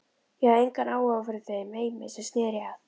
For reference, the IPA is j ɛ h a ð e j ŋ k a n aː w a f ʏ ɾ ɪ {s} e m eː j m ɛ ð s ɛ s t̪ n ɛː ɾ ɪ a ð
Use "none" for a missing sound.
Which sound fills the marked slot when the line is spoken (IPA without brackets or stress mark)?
θ